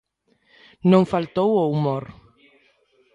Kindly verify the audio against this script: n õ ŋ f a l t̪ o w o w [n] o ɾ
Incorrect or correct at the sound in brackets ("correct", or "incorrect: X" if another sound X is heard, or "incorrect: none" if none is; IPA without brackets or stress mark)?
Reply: incorrect: m